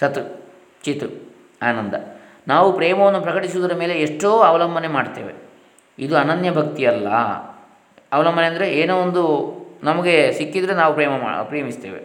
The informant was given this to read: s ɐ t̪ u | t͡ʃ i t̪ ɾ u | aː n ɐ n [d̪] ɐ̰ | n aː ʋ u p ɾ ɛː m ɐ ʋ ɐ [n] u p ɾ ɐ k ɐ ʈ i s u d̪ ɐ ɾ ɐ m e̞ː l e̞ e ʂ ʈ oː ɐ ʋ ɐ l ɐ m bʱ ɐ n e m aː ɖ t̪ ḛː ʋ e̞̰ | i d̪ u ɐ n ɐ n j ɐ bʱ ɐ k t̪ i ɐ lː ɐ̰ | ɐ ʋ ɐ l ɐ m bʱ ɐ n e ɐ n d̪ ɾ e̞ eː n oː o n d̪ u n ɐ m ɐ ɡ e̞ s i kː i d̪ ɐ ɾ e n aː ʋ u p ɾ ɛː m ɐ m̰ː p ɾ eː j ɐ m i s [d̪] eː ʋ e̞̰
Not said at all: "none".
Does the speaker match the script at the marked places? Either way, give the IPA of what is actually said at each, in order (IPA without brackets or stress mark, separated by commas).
d̪, nː, t̪